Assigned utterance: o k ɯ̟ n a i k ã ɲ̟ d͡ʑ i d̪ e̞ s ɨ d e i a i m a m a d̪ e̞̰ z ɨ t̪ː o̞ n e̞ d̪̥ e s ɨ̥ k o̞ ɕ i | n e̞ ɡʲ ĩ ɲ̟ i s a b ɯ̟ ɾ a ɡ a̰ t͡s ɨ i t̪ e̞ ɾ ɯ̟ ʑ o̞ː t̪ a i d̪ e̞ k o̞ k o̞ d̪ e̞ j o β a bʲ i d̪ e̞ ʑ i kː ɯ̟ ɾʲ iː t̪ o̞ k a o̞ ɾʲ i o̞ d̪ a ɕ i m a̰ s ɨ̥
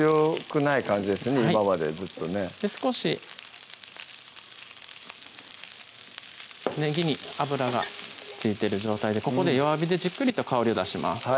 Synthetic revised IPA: o k ɯ̟ n a i k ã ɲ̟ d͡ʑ i d̪ e̞ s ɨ n e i a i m a m a d̪ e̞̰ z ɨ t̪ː o̞ n e̞ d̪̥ e s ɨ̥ k o̞ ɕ i | n e̞ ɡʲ i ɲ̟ i a b ɯ̟ ɾ a ɡ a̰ t͡s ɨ i t̪ e̞ ɾ ɯ̟ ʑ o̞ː t̪ a i d̪ e̞ k o̞ k o̞ d̪ e̞ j o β a bʲ i d̪ e̞ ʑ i kː ɯ̟ ɾʲ i t̪ o̞ k a o̞ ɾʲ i o̞ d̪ a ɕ i m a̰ s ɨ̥